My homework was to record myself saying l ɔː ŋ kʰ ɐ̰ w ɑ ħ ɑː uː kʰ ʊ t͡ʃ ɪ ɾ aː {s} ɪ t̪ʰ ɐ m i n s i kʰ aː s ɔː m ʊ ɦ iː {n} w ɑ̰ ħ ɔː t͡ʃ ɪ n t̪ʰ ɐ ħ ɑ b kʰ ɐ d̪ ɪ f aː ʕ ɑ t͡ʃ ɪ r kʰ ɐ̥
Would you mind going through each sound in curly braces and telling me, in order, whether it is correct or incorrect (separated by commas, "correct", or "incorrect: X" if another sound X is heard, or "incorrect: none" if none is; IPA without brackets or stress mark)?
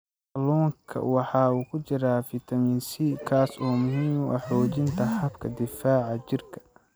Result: incorrect: f, incorrect: m